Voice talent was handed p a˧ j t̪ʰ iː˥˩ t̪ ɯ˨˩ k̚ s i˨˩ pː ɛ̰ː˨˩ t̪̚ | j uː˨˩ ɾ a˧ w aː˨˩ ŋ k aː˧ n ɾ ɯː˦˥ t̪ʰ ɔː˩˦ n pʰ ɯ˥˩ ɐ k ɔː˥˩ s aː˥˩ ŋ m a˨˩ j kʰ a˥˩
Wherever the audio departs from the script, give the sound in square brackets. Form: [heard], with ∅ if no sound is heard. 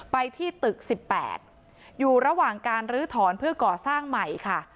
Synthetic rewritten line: p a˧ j t̪ʰ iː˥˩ t̪ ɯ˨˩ k̚ s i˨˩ pː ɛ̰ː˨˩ t̪̚ | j uː˨˩ ɾ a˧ w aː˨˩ ŋ k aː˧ n ɾ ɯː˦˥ t̪ʰ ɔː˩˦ n pʰ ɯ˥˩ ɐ k [ɔː˨˩] s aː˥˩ ŋ m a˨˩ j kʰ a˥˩